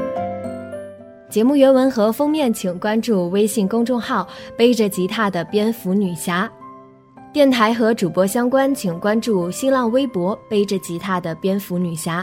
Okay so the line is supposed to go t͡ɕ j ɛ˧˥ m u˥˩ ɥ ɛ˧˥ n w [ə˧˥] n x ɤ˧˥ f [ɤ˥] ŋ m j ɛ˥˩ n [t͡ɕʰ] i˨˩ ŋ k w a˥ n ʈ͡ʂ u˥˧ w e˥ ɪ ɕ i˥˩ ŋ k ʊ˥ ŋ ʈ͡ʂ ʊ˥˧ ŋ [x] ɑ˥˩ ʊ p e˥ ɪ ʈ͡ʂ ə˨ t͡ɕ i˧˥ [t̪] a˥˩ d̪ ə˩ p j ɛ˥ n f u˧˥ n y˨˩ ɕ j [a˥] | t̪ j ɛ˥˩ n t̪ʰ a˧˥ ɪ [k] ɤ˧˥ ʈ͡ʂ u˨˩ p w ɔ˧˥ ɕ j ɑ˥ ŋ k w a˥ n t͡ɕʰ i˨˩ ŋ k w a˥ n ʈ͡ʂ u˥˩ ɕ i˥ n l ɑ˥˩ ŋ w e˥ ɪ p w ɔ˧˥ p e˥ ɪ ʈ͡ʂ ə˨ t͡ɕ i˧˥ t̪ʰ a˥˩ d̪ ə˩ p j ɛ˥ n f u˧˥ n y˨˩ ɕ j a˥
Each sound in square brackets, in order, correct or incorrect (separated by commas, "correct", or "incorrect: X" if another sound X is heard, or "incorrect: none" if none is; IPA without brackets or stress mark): correct, correct, correct, correct, incorrect: t̪ʰ, correct, incorrect: x